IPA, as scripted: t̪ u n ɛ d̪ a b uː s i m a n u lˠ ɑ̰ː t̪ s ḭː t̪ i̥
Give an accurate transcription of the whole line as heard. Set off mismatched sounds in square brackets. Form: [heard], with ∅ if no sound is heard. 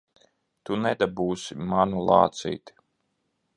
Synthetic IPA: t̪ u n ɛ d̪ a b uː s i m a n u lˠ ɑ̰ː t̪ s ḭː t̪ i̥